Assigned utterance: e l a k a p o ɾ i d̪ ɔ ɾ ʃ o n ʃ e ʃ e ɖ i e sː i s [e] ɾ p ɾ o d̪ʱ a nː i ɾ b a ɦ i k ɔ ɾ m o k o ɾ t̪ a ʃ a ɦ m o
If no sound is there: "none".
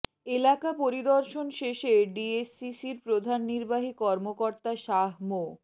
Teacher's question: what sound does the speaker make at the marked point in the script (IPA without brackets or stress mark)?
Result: i